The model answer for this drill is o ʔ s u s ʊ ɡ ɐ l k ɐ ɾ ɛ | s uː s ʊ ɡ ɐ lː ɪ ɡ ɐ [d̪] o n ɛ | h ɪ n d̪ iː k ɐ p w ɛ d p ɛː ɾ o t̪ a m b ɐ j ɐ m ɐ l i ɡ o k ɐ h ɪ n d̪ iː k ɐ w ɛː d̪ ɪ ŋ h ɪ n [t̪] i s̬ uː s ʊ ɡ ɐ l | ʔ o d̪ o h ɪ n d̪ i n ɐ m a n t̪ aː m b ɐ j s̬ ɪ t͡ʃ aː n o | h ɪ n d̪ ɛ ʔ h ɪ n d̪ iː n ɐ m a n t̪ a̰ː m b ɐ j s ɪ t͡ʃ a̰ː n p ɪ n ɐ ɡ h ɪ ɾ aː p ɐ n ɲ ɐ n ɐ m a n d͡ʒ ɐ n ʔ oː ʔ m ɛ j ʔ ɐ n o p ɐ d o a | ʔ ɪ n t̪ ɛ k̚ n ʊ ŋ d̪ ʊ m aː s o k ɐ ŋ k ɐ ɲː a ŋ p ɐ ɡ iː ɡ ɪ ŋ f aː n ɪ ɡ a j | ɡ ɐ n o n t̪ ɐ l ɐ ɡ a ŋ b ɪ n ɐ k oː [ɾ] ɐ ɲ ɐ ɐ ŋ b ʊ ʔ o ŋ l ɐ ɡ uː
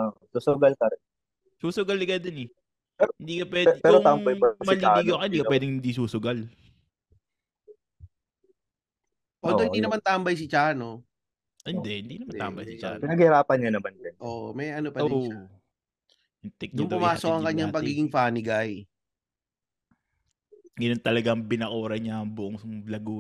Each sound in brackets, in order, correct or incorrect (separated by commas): correct, incorrect, correct